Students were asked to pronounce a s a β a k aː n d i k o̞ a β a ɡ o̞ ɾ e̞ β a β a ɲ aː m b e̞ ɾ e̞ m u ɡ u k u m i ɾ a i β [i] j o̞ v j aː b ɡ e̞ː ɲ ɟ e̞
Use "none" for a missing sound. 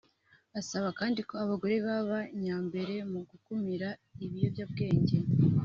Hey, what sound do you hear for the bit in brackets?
i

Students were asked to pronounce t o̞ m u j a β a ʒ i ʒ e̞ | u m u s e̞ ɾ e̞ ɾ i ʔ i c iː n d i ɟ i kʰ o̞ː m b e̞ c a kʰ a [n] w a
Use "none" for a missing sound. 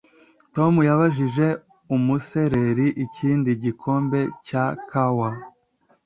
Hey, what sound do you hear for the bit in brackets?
none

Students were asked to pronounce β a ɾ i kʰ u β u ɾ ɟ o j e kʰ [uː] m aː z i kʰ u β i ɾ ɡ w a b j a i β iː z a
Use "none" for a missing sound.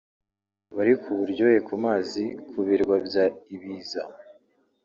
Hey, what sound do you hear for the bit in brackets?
u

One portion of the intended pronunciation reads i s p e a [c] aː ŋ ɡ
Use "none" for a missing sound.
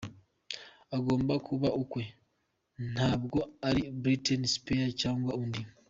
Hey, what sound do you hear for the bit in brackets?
c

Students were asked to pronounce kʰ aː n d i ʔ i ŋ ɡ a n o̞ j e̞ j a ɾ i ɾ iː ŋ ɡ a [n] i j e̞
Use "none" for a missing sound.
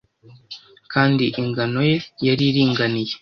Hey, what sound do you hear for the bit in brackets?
n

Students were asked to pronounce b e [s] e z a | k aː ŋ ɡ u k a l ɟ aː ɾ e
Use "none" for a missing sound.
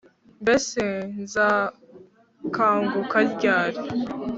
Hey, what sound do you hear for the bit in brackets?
s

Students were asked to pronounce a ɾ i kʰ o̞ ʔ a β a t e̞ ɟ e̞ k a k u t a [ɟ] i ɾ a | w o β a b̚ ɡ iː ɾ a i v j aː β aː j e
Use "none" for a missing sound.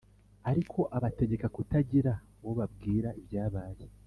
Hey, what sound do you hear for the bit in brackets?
ɟ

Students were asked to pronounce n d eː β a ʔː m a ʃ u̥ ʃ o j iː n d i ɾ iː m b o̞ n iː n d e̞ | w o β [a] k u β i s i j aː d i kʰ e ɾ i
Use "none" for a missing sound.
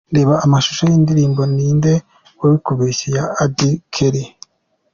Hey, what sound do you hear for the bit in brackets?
i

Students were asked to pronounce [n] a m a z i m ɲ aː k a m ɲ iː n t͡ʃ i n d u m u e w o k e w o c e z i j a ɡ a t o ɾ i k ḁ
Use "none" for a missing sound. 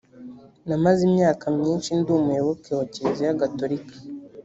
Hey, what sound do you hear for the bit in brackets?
n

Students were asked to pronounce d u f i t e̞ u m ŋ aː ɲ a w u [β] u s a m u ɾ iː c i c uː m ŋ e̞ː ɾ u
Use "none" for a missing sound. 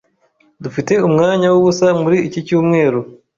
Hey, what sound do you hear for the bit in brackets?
β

